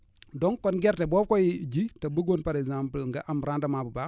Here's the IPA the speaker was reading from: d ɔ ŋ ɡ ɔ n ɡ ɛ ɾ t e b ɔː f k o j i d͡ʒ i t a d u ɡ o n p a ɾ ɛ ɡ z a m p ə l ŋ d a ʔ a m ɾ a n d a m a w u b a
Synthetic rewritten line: d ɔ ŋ k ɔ n ɡ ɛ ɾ t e b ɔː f k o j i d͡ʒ i t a b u ɡ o n p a ɾ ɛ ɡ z a m p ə l ŋ ɡ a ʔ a m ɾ a n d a m a b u b a

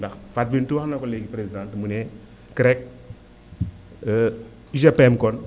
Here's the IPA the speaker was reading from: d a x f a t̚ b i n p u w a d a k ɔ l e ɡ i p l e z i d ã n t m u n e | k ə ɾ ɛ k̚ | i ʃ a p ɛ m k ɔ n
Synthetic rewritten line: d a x f a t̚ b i n t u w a n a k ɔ l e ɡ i p ɾ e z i d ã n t m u n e | k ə ɾ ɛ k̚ | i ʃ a p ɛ m k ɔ n

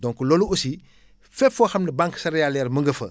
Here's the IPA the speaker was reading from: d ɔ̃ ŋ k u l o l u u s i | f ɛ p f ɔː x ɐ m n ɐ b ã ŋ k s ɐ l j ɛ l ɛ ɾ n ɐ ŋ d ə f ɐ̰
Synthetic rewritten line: d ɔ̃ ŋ k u l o l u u s i | f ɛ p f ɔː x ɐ m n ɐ b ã ŋ k s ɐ ɾ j a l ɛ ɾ m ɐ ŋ ɡ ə f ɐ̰

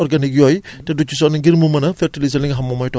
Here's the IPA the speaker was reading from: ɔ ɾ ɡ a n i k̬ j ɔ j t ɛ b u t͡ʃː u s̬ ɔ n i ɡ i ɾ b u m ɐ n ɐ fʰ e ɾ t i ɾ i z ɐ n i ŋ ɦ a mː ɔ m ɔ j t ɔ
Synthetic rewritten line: ɔ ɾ ɡ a n i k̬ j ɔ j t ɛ d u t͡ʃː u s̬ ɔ n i ɡ i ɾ m u m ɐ n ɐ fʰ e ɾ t i l i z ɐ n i ŋ ɦ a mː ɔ m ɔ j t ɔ

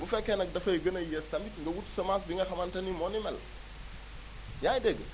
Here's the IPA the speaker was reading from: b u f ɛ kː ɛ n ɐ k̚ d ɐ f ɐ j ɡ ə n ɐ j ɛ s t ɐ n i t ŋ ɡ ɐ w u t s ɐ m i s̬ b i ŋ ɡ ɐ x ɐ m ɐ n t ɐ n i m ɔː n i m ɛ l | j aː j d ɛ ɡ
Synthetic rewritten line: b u f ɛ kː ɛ n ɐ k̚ d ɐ f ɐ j ɡ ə n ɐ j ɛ s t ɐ m i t ŋ ɡ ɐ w u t s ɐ m a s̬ b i ŋ ɡ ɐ x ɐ m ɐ n t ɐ n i m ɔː n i m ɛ l | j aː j d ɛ ɡ

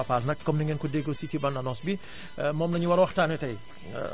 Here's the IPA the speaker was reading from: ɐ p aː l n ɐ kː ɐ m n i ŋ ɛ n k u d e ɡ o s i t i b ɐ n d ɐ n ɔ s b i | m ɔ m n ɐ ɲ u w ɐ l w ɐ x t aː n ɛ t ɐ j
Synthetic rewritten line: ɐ p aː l n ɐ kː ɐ m n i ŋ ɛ n k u d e ɡ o s i t i b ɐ n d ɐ n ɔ s b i | m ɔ m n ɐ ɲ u w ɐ ɾ w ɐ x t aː n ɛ t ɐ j

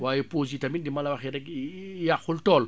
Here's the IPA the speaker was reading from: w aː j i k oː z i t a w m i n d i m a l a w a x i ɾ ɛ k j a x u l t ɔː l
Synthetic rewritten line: w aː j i p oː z i t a m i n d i m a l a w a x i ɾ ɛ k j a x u l t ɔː l

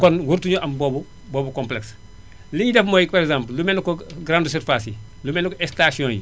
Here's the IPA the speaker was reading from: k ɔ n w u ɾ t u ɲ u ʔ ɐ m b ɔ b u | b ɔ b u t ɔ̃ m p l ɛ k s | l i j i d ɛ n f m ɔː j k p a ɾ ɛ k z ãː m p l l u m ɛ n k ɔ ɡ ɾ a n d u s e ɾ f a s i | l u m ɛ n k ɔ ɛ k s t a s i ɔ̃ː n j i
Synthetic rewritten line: k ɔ n w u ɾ t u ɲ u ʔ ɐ m b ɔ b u | b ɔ b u k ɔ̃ m p l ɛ k s | l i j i d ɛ f m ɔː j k p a ɾ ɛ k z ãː m p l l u m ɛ n k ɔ ɡ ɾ a n d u s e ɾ f a s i | l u m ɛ n k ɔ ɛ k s t a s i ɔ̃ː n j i

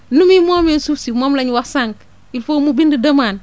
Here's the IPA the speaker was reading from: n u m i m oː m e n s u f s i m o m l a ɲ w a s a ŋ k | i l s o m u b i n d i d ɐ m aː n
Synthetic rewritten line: n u m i m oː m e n s u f s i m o m l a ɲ w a s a ŋ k | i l f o m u b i n d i d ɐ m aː n

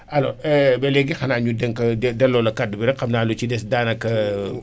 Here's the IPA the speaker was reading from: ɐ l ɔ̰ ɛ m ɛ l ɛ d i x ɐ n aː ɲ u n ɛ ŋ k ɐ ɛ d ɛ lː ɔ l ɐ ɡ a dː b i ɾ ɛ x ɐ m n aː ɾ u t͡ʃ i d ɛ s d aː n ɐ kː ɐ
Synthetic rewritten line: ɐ l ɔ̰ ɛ b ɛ l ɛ ɡ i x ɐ n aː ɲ u d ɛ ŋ k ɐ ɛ d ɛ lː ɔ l ɐ k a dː b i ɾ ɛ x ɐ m n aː l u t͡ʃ i d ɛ s d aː n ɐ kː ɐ

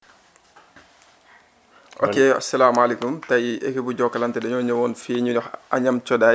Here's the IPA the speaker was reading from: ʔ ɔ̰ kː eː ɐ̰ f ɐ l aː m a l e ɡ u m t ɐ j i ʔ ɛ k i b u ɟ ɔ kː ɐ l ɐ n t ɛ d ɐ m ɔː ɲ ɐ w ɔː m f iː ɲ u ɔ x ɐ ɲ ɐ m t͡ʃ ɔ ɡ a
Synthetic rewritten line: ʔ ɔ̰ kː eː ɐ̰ s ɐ l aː m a l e k u m t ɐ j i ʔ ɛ k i b u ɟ ɔ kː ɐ l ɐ n t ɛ d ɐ ɲ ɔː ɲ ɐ w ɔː n f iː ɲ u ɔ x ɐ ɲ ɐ m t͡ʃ ɔ d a

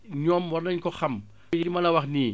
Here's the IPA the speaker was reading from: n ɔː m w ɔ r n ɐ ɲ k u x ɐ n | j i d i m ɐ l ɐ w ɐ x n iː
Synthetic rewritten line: ɲ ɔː m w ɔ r n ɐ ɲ k ɔ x ɐ m | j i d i m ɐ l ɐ w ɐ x n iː

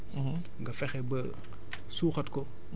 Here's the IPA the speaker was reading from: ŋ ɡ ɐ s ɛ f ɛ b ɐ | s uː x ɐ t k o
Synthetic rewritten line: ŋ ɡ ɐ f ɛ x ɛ b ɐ | s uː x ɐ t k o

